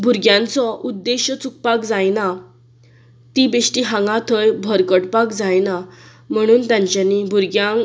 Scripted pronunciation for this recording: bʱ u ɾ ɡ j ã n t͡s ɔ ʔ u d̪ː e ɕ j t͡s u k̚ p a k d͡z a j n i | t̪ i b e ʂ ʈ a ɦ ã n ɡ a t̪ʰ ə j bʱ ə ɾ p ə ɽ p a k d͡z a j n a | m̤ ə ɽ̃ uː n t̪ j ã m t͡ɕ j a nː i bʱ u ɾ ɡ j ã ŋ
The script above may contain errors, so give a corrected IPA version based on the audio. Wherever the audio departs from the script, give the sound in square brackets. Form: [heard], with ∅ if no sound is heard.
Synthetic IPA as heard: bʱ u ɾ ɡ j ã n t͡s ɔ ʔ u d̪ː e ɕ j t͡s u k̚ p a k d͡z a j n [a] | t̪ i b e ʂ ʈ [i] ɦ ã [ŋ] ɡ a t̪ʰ ə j bʱ ə ɾ [k] ə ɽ p a k d͡z a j n a | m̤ ə ɽ̃ uː n t̪ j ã [ɲ] t͡ɕ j a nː i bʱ u ɾ ɡ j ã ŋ